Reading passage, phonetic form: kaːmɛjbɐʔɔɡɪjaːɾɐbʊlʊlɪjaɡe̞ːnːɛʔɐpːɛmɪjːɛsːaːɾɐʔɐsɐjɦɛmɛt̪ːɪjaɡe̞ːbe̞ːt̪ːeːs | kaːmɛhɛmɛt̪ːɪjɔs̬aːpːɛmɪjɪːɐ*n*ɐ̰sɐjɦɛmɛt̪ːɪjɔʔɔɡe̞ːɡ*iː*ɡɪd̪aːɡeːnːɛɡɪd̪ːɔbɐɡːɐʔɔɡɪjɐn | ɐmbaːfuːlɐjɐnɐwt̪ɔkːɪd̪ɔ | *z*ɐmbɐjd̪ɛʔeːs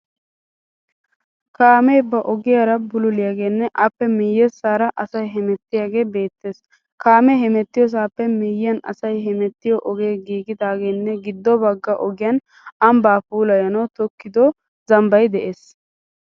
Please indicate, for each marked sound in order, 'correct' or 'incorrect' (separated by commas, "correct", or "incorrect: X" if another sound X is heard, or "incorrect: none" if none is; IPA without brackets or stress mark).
correct, correct, correct